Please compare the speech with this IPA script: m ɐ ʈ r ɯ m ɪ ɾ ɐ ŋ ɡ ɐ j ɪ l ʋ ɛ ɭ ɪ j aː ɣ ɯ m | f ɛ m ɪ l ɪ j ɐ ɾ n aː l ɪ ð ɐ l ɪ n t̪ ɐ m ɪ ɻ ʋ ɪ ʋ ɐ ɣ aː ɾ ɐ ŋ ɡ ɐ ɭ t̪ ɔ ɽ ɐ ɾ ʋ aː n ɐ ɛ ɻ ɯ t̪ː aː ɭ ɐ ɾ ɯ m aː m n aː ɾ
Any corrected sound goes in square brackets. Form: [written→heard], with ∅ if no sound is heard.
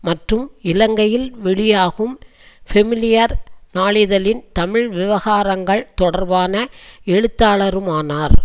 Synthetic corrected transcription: m ɐ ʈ r ɯ m ɪ [ɾ→l] ɐ ŋ ɡ ɐ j ɪ l ʋ ɛ ɭ ɪ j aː ɣ ɯ m | f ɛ m ɪ l ɪ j ɐ ɾ n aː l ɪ ð ɐ l ɪ n t̪ ɐ m ɪ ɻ ʋ ɪ ʋ ɐ ɣ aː ɾ ɐ ŋ ɡ ɐ ɭ t̪ ɔ ɽ ɐ ɾ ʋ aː n ɐ ɛ ɻ ɯ t̪ː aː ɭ ɐ ɾ ɯ m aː [m→∅] n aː ɾ

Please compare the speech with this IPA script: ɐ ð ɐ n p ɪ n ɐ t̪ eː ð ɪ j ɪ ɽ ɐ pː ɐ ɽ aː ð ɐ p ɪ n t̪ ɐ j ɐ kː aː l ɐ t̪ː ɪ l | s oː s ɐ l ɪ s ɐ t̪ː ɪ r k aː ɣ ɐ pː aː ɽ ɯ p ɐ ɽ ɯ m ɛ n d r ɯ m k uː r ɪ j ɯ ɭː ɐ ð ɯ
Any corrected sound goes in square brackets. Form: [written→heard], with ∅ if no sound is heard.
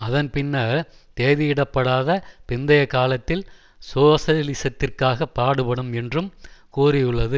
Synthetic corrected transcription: ɐ ð ɐ n p ɪ [n→nː] ɐ t̪ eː ð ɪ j ɪ ɽ ɐ pː ɐ ɽ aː ð ɐ p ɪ n [t̪→d̪] ɐ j ɐ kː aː l ɐ t̪ː ɪ l | s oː s ɐ l ɪ s ɐ t̪ː ɪ r k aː ɣ ɐ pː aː ɽ ɯ p ɐ ɽ ɯ m ɛ n d r ɯ m k uː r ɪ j ɯ ɭː ɐ ð ɯ

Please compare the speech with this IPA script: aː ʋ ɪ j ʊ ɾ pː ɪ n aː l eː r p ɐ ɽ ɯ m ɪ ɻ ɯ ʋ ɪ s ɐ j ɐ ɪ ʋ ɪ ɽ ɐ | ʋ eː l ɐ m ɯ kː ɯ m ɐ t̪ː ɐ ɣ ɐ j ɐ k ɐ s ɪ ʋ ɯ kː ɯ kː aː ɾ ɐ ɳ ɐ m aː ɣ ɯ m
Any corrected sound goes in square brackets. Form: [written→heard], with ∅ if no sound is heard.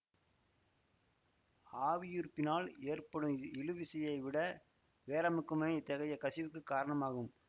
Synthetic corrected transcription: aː ʋ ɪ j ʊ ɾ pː ɪ n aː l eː r p ɐ ɽ ɯ m ɪ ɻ ɯ ʋ ɪ s ɐ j ɐ ɪ ʋ ɪ ɽ ɐ | ʋ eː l ɐ m ɯ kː ɯ m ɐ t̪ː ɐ ɣ ɐ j ɐ k ɐ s ɪ ʋ ɯ kː ɯ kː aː ɾ ɐ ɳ ɐ m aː ɣ ɯ m

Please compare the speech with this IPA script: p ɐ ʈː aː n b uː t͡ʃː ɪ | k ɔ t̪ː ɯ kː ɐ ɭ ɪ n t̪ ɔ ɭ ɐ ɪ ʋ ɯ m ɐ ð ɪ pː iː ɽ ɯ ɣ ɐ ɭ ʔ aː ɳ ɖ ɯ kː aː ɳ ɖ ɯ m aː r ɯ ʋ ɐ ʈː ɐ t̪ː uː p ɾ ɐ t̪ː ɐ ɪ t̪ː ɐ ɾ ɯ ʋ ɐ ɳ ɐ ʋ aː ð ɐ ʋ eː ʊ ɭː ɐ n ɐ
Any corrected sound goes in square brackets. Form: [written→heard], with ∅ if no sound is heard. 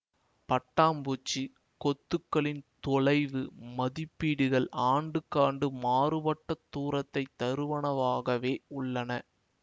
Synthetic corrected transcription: p ɐ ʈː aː [n→m] b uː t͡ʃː [ɪ→i] | k ɔ t̪ː ɯ kː ɐ ɭ ɪ n t̪ ɔ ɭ ɐ ɪ ʋ ɯ m ɐ ð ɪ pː iː ɽ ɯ ɣ ɐ ɭ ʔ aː ɳ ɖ ɯ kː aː ɳ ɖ ɯ m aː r ɯ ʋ ɐ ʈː ɐ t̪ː uː [p→∅] ɾ ɐ t̪ː ɐ ɪ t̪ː ɐ ɾ ɯ ʋ ɐ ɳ ɐ ʋ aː [ð→ɣ] ɐ ʋ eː ʊ ɭː ɐ n ɐ

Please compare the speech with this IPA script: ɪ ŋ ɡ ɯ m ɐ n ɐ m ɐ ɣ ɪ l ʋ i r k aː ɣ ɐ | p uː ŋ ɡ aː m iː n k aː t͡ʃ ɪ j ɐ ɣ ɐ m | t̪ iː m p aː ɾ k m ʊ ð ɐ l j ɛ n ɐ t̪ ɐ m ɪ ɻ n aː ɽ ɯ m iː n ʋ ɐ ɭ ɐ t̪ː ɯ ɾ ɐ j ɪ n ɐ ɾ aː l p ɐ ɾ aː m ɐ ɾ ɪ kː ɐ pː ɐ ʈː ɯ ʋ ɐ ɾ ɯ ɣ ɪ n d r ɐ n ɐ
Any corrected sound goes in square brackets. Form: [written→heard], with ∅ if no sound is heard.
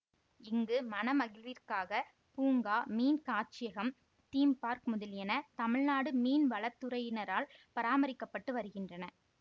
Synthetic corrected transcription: ɪ ŋ ɡ ɯ m ɐ n ɐ m ɐ ɣ ɪ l ʋ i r k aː ɣ ɐ | p uː ŋ ɡ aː m iː n k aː t͡ʃ ɪ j ɐ ɣ ɐ m | t̪ iː m p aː ɾ k m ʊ ð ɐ l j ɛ n ɐ t̪ ɐ m ɪ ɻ n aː ɽ ɯ m iː n ʋ ɐ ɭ ɐ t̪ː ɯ ɾ ɐ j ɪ n ɐ ɾ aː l p ɐ ɾ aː m ɐ ɾ ɪ kː ɐ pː ɐ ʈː ɯ ʋ ɐ ɾ ɯ ɣ ɪ n d r ɐ n ɐ

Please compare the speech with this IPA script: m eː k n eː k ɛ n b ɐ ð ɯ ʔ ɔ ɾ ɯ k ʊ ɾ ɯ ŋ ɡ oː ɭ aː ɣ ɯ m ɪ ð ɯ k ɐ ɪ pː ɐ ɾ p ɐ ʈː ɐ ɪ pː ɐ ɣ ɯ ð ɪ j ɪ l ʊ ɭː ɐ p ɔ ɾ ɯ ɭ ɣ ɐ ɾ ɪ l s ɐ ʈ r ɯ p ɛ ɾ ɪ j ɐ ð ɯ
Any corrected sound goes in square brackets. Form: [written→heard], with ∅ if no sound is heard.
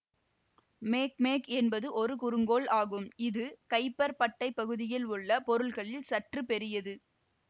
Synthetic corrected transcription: m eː k [n→m] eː k ɛ n b ɐ ð ɯ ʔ ɔ ɾ ɯ k ʊ ɾ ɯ ŋ ɡ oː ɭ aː ɣ ɯ m ɪ ð ɯ k ɐ ɪ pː ɐ ɾ p ɐ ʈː ɐ ɪ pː ɐ ɣ ɯ ð ɪ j ɪ l ʊ ɭː ɐ p ɔ ɾ ɯ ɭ ɣ ɐ [ɾ→ɭ] ɪ l s ɐ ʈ r ɯ p ɛ ɾ ɪ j ɐ ð ɯ

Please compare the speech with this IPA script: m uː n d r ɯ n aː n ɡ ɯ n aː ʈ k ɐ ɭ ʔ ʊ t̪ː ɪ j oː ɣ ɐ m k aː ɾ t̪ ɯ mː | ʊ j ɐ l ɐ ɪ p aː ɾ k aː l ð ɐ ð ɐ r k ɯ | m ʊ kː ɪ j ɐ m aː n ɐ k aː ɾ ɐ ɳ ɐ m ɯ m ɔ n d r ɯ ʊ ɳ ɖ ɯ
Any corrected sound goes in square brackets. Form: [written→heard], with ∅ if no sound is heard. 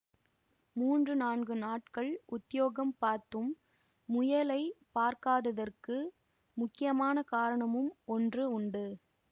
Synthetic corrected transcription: m uː n d r ɯ n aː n ɡ ɯ n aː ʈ k ɐ ɭ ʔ ʊ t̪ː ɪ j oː ɣ ɐ m [k→p] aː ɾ t̪ ɯ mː | ʊ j ɐ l ɐ ɪ p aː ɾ k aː [l→∅] ð ɐ ð ɐ r k ɯ | m ʊ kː ɪ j ɐ m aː n ɐ k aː ɾ ɐ ɳ ɐ m ɯ m ɔ n d r ɯ ʊ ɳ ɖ ɯ

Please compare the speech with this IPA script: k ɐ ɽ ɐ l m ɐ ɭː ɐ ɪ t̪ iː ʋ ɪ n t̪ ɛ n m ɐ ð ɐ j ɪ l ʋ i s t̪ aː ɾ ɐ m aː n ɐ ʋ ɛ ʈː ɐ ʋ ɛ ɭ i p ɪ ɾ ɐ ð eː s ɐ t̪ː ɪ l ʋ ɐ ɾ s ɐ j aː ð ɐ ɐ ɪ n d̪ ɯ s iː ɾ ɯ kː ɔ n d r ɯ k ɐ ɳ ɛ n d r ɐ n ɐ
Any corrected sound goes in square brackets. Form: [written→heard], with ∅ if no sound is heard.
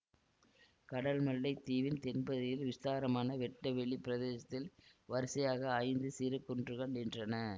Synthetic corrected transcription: k ɐ ɽ ɐ l m ɐ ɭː ɐ ɪ t̪ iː ʋ ɪ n t̪ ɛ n [m→b] ɐ ð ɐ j ɪ l ʋ [i→ɪ] s t̪ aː ɾ ɐ m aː n ɐ ʋ ɛ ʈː ɐ ʋ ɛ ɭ i p ɪ ɾ ɐ ð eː s ɐ t̪ː ɪ l ʋ ɐ ɾ s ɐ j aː [ð→ɣ] ɐ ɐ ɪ n d̪ ɯ s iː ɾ ɯ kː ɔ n d r ɯ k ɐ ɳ ɛ n d r ɐ n ɐ

